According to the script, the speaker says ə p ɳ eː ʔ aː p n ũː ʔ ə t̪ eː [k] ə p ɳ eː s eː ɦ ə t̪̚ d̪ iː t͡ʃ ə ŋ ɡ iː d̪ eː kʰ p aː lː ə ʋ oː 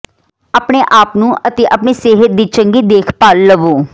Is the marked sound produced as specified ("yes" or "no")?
no